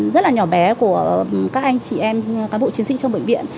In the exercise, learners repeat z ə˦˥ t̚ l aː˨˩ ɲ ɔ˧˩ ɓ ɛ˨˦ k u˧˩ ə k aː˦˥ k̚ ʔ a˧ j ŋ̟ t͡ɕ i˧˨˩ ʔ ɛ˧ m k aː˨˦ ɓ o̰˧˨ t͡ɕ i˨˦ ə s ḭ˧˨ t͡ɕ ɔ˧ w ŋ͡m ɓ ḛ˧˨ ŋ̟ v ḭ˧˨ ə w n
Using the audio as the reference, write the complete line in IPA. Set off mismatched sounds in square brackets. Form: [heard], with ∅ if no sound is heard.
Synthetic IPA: z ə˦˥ t̚ l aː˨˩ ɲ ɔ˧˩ ɓ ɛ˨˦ k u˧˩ ə k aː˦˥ k̚ ʔ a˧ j ŋ̟ t͡ɕ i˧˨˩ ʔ ɛ˧ m k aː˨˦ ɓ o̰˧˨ t͡ɕ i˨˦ ə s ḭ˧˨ t͡ɕ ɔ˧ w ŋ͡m ɓ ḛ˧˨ ŋ̟ v ḭ˧˨ ə [∅] n